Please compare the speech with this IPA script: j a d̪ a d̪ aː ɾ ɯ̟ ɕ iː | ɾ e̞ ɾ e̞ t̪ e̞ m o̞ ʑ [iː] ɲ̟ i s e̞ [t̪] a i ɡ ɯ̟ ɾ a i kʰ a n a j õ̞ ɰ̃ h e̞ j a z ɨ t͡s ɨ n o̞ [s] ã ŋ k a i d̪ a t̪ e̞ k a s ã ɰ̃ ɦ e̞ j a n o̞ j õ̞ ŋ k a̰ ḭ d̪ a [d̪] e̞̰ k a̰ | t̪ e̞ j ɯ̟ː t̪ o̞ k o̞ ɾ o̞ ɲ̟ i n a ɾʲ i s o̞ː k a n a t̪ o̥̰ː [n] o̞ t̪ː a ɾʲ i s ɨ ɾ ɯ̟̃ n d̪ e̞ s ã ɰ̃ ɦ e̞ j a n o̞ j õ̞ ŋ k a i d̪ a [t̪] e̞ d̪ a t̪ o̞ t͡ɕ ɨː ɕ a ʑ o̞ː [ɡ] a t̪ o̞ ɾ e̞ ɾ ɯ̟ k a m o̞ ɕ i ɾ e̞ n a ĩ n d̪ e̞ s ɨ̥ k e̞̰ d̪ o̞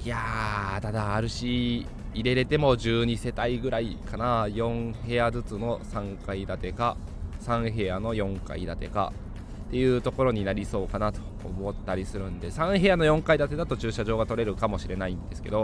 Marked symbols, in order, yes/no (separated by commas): no, yes, yes, no, no, yes, yes